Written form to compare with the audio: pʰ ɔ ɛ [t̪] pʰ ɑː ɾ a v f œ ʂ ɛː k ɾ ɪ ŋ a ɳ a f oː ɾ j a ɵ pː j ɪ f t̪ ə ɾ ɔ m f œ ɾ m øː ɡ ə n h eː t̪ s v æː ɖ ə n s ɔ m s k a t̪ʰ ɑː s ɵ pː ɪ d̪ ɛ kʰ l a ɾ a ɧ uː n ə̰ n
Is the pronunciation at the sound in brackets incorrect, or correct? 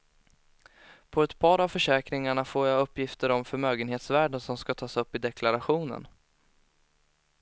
correct